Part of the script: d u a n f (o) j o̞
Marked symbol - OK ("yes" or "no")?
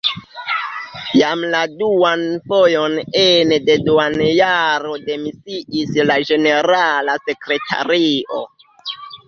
yes